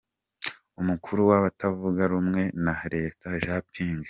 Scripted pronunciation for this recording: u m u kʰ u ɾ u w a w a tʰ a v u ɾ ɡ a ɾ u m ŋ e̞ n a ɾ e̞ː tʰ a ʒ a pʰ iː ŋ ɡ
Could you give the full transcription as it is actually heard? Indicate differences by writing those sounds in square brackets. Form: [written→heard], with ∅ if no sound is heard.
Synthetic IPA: u m u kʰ u ɾ u w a [w→β] a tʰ a v u [ɾ→∅] ɡ a ɾ u m ŋ e̞ n a ɾ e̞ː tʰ a ʒ a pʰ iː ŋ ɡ